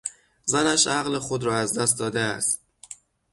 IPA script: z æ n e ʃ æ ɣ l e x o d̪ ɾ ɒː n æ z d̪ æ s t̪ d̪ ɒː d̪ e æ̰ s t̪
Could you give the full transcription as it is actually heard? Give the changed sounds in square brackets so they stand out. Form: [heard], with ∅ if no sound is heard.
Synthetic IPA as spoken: z æ n [æ] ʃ æ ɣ l e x o d̪ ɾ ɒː [∅] æ z d̪ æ s t̪ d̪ ɒː d̪ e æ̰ s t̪